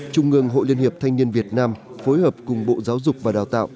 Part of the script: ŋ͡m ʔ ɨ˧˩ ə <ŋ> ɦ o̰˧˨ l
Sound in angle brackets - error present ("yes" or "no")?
no